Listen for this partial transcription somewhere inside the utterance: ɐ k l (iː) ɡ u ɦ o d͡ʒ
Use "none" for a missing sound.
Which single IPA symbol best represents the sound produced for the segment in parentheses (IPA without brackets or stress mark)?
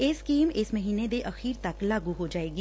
aː